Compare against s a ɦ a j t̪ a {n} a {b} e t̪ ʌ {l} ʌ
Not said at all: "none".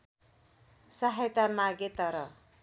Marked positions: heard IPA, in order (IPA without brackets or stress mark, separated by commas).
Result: m, ɡ, ɾ